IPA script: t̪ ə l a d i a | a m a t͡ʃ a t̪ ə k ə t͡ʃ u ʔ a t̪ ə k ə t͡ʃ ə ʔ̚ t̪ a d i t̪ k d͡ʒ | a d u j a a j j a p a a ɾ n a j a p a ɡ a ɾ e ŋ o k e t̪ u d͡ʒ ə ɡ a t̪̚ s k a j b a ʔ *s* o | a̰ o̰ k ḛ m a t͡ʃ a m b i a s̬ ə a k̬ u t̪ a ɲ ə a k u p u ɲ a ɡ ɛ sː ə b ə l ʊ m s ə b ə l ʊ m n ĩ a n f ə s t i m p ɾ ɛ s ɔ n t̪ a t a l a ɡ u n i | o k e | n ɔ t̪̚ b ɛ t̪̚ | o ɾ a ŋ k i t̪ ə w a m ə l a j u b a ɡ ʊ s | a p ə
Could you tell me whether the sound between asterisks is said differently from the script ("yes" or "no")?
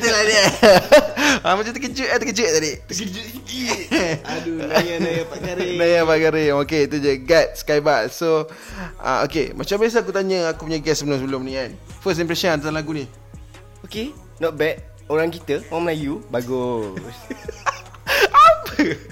no